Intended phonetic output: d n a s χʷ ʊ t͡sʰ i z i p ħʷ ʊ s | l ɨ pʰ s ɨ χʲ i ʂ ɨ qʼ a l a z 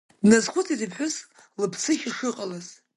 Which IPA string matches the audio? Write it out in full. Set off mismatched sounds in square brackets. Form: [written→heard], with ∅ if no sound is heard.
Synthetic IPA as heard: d n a [s→z] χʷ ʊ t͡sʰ i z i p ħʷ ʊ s | l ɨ pʰ s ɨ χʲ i ʂ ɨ qʼ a l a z